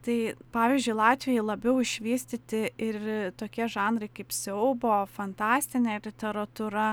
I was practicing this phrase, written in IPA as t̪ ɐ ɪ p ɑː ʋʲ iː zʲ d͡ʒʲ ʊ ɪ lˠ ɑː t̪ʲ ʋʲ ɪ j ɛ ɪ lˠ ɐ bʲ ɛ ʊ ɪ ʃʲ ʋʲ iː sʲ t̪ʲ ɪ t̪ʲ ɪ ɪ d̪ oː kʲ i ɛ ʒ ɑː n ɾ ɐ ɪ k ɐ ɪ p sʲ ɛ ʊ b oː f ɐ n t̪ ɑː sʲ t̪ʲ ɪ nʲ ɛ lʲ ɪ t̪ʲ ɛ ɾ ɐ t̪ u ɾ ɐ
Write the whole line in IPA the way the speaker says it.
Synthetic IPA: t̪ ɐ ɪ p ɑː ʋʲ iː zʲ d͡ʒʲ ʊ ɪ lˠ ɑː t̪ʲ ʋʲ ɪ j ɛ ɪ lˠ ɐ bʲ ɛ ʊ ɪ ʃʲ ʋʲ iː sʲ t̪ʲ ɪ t̪ʲ ɪ ɪ t̪ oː kʲ i ɛ ʒ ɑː n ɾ ɐ ɪ k ɐ ɪ p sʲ ɛ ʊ b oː f ɐ n t̪ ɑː sʲ t̪ʲ ɪ nʲ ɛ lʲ ɪ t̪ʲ ɛ ɾ ɐ t̪ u ɾ ɐ